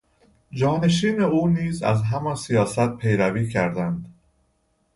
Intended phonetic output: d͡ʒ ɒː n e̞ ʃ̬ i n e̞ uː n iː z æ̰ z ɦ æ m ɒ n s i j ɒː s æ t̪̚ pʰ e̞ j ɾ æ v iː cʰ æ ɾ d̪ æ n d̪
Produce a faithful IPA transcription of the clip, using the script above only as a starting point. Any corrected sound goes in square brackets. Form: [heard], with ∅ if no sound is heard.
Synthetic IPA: d͡ʒ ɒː n e̞ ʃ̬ [iː] n e̞ uː n iː z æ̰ z ɦ æ m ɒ n s i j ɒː s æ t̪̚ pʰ e̞ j ɾ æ v iː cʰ æ ɾ d̪ æ n d̪